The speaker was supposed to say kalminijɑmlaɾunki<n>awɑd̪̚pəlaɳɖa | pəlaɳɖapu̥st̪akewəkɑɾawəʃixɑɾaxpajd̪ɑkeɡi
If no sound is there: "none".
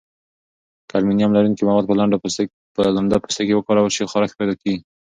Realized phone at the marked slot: m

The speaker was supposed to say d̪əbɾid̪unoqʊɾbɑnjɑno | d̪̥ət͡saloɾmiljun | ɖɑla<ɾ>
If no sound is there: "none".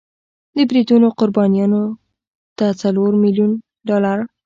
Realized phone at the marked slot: ɾ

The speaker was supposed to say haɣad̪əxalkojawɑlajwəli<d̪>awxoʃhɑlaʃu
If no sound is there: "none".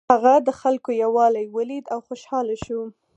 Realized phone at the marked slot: d̪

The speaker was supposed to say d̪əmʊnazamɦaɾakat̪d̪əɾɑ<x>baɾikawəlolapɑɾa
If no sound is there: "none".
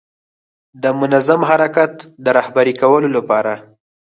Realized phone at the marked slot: h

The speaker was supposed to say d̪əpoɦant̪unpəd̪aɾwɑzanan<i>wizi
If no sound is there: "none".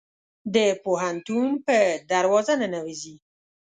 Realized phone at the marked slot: a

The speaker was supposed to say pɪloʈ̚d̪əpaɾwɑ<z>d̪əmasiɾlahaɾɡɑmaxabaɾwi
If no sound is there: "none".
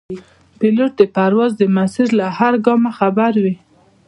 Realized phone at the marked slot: z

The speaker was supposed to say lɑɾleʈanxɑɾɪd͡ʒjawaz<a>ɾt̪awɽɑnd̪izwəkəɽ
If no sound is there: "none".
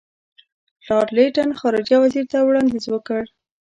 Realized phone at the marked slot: i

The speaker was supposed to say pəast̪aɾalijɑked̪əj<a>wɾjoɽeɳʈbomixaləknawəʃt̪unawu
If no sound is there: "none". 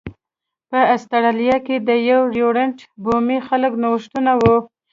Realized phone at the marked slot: a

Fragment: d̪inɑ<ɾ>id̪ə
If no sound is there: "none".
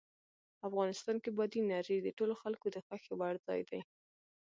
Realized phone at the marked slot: ɾ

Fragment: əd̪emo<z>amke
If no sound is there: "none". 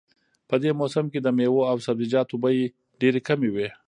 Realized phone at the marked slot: s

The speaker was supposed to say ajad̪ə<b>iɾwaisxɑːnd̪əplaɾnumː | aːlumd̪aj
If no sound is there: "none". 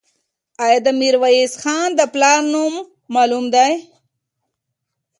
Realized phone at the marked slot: m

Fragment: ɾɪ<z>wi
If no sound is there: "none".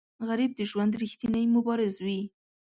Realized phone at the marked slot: z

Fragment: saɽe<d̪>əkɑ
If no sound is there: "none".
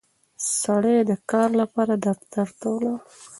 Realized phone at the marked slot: d̪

